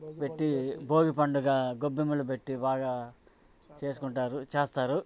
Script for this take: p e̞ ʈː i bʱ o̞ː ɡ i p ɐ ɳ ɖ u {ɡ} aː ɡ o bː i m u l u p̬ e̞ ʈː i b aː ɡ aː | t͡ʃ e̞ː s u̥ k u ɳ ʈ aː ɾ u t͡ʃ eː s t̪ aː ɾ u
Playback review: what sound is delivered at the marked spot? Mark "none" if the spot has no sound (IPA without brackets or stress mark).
ɡ